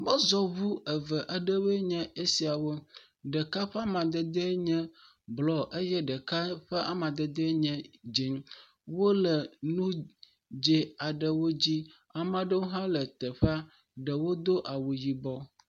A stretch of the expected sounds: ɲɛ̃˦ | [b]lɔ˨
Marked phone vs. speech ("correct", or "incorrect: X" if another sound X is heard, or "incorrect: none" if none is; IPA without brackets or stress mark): correct